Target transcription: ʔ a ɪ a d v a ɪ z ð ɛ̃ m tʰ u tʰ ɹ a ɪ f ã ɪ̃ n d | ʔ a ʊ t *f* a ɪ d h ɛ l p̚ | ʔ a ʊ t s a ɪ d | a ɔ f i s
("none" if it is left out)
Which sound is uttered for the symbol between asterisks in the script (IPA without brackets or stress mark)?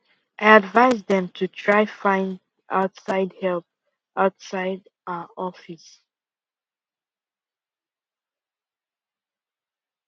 s